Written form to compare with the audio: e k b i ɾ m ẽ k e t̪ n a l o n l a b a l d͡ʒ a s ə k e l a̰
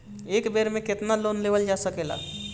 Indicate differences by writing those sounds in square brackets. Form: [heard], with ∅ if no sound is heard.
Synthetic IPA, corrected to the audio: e k b [e] ɾ m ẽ k e t̪ n a l o n l [e] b [ə] l d͡ʒ a s ə k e l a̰